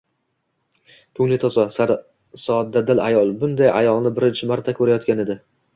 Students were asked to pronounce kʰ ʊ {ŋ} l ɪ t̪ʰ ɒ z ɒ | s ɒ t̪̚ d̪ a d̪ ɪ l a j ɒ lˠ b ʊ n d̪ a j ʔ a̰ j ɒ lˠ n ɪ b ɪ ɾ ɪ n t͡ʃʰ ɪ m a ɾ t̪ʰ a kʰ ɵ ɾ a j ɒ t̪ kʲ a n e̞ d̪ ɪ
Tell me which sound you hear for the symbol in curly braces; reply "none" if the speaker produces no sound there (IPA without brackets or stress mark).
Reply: ŋ